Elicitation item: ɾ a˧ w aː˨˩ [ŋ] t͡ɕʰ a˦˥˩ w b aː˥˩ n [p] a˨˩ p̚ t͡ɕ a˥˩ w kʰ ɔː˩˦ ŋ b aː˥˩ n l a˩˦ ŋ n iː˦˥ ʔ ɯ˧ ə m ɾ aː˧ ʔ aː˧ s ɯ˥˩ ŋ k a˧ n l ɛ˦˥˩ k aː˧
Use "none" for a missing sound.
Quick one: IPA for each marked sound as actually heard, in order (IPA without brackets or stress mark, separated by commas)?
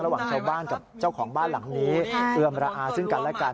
ŋ, k